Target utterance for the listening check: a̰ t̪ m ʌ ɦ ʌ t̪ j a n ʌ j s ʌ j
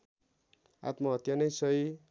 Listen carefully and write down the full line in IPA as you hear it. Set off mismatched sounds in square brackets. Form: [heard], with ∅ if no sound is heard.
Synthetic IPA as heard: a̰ t̪ m ʌ ɦ ʌ t̪ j a n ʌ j s ʌ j